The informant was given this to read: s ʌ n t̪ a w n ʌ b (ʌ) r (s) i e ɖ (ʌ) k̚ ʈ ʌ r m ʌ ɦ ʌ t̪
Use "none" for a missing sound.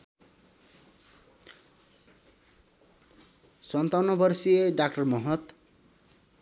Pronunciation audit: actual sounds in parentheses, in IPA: ʌ, s, a

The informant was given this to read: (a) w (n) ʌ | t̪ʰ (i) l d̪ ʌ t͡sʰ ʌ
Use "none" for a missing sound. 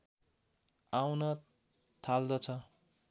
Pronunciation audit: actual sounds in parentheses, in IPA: a, n, a

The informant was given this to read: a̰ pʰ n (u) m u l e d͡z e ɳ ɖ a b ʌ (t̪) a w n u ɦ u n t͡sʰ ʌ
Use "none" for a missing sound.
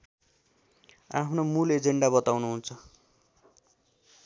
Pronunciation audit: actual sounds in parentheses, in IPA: o, t̪

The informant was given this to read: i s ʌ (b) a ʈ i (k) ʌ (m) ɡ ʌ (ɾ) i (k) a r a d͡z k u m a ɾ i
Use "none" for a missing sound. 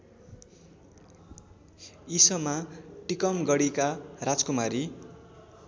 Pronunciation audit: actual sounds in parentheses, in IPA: m, k, m, ɽ, k

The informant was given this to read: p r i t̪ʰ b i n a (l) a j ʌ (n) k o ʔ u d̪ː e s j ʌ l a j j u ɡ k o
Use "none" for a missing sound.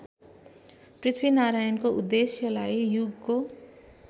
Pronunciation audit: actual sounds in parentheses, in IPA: ɾ, n

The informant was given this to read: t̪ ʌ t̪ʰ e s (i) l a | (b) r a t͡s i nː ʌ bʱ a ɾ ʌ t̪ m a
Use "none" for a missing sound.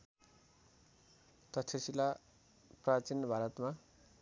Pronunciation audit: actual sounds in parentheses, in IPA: i, p

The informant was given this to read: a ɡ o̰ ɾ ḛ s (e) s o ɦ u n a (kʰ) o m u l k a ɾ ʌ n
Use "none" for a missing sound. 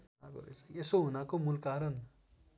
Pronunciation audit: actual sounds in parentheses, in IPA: e, k

